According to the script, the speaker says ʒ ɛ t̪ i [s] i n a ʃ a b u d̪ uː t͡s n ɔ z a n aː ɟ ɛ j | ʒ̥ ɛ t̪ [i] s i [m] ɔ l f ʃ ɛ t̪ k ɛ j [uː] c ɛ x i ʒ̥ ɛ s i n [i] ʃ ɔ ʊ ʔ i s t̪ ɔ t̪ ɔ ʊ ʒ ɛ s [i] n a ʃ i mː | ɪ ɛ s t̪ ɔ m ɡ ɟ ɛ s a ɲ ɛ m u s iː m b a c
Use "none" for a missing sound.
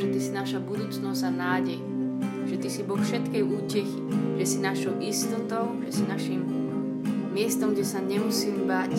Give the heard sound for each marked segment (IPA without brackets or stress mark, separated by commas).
s, i, b, uː, a, i